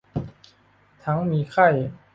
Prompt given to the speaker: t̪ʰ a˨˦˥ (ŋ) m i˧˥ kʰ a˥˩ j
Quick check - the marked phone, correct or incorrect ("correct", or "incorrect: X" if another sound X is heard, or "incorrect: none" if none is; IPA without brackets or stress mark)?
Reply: correct